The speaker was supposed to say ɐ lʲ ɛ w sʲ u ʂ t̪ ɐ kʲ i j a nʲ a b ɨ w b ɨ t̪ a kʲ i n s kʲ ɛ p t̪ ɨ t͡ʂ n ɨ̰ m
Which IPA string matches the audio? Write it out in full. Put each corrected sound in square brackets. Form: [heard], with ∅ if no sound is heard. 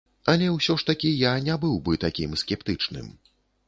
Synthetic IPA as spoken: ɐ lʲ ɛ w sʲ [ɔ] ʂ t̪ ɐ kʲ i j a nʲ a b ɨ w b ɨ t̪ a kʲ i [m] s kʲ ɛ p t̪ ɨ t͡ʂ n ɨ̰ m